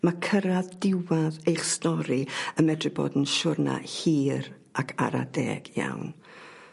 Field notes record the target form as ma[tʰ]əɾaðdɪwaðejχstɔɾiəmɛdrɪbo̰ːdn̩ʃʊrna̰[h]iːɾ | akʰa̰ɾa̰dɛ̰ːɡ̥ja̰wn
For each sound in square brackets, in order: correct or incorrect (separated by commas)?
incorrect, correct